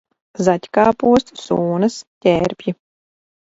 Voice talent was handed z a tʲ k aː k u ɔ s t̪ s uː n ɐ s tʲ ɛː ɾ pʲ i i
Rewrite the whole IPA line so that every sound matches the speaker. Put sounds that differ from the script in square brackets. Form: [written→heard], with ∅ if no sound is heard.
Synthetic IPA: z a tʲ k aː [k→p] u ɔ s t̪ s uː n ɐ s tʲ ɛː ɾ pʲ [i→j] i